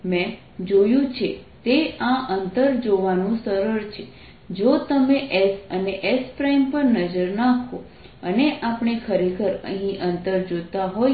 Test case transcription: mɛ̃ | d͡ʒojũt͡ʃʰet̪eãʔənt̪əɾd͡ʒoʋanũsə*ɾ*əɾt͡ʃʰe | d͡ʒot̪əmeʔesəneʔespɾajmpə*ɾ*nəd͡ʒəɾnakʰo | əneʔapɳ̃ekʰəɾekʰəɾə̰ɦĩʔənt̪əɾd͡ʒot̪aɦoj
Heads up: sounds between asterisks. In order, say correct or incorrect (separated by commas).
correct, correct